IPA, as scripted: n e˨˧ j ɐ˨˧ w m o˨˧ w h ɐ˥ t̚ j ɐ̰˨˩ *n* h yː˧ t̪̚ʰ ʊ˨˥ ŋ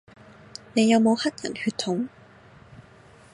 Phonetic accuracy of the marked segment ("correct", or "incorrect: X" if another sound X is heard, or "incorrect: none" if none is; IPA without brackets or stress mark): correct